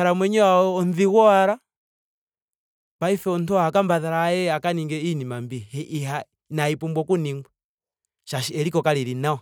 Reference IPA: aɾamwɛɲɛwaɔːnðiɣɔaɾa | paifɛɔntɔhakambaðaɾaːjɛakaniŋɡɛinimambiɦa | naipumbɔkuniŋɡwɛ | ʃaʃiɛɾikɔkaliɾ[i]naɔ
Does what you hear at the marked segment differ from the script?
no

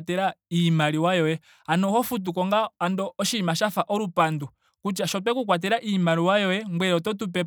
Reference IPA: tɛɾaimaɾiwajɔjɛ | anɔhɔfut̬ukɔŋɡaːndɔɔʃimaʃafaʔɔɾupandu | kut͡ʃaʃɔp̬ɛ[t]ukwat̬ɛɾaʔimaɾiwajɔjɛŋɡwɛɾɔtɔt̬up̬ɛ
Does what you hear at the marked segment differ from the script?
yes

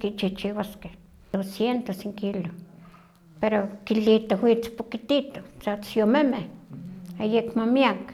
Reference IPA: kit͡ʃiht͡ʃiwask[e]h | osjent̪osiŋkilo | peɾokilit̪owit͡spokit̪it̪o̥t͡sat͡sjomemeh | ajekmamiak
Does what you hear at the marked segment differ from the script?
no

